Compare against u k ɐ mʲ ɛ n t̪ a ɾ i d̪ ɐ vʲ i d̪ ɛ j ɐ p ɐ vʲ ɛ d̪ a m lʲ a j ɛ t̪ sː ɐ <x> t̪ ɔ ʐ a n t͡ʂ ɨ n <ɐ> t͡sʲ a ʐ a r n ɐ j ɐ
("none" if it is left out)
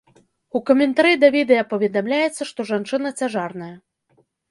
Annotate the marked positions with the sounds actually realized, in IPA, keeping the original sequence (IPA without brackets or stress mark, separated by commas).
ʂ, ɐ